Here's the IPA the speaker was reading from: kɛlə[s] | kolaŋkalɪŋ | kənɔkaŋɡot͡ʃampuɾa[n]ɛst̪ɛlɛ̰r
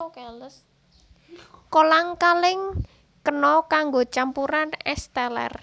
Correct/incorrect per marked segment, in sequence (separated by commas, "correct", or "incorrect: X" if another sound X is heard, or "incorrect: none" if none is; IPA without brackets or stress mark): correct, correct